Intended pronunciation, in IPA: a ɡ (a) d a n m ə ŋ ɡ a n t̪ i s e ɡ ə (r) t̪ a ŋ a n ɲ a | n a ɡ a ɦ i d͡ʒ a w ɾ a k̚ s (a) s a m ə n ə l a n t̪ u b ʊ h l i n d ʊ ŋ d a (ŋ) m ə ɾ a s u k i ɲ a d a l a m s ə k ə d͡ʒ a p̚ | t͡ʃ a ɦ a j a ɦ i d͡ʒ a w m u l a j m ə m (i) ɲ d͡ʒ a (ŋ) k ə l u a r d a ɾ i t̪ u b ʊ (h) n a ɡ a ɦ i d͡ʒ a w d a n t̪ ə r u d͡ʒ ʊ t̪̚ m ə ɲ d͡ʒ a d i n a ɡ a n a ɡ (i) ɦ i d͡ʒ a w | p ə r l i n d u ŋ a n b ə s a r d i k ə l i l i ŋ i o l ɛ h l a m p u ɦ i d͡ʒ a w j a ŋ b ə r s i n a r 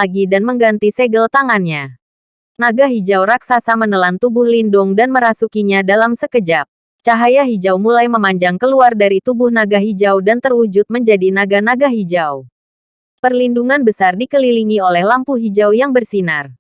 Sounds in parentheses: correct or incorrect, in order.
incorrect: i, incorrect: l, correct, incorrect: n, incorrect: a, correct, correct, incorrect: a

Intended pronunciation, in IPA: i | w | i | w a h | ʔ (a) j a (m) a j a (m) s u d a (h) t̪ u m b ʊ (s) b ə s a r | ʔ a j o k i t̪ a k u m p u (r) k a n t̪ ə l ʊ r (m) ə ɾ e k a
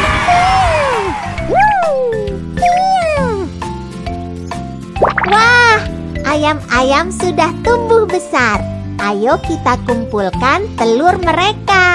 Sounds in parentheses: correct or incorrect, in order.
correct, correct, correct, correct, incorrect: h, incorrect: l, correct

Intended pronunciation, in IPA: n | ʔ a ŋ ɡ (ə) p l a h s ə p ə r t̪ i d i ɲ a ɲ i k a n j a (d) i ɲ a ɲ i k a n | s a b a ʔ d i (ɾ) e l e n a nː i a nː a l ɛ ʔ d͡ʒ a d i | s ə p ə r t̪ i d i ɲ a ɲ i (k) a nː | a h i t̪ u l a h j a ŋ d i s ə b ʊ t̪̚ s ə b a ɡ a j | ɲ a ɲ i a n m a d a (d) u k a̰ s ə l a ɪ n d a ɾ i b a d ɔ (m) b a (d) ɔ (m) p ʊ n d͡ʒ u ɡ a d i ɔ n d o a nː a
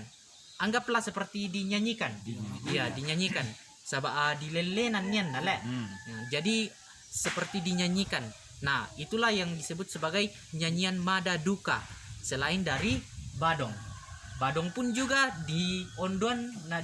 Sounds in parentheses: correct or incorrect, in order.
incorrect: a, correct, incorrect: l, correct, correct, incorrect: ŋ, correct, incorrect: ŋ

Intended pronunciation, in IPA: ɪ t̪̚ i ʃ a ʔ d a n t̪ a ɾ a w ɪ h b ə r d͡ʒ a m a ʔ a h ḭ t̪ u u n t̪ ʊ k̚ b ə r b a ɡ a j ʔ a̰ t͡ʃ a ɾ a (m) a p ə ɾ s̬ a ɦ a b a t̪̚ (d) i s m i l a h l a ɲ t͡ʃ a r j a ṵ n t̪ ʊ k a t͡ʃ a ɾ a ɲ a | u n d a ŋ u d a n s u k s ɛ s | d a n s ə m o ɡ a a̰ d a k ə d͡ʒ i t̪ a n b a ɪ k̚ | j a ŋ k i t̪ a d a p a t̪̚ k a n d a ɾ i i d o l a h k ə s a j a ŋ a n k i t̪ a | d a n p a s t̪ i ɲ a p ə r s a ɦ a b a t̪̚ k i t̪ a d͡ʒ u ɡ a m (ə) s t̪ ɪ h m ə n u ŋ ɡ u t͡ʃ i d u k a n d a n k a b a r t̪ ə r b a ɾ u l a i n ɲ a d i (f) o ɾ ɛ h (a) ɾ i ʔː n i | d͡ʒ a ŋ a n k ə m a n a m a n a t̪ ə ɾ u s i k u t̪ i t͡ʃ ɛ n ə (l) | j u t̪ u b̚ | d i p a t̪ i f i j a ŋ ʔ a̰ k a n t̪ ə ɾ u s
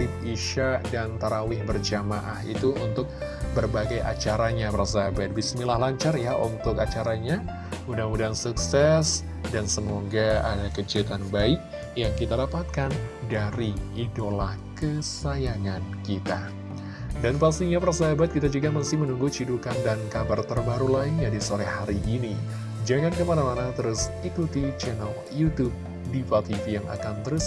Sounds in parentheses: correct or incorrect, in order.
incorrect: ɲ, incorrect: b, correct, incorrect: s, correct, correct

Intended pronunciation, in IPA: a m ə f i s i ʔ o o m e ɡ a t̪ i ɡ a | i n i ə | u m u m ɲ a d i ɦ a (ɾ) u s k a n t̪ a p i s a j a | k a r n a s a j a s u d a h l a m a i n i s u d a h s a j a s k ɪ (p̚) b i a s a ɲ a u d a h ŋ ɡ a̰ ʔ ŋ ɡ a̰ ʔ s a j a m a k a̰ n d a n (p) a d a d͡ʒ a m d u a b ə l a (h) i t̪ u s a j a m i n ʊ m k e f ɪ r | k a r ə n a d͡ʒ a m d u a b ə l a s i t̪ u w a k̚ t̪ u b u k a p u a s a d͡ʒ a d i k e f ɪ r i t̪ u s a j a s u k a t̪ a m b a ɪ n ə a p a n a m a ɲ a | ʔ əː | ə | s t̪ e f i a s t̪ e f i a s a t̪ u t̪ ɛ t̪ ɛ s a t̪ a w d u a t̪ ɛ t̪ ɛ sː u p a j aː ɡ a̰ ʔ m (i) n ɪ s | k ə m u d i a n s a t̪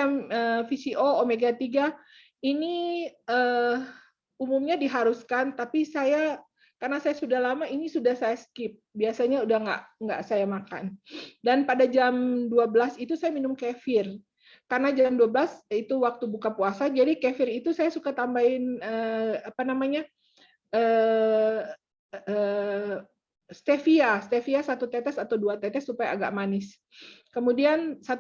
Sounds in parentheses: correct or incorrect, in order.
correct, correct, correct, incorrect: s, incorrect: a

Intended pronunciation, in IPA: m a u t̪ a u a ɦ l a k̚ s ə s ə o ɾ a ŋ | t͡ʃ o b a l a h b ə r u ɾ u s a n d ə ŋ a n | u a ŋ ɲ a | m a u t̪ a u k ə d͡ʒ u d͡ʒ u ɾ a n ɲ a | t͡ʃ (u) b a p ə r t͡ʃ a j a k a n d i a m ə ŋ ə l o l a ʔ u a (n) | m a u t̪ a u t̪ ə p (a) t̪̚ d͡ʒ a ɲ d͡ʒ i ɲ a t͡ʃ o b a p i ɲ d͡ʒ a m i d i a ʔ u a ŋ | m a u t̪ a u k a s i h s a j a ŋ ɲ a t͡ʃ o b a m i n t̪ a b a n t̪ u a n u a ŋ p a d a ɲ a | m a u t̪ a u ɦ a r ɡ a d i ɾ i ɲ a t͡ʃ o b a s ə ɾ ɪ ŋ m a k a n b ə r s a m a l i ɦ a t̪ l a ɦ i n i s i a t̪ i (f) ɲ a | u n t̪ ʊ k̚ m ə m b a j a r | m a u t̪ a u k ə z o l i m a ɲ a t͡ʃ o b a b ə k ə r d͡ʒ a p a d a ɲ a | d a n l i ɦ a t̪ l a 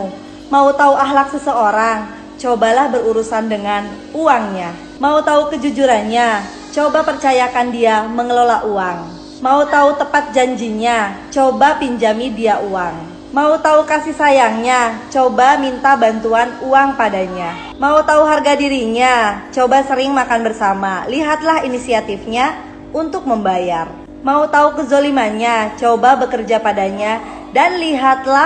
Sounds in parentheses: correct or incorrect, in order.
incorrect: o, incorrect: ŋ, correct, correct

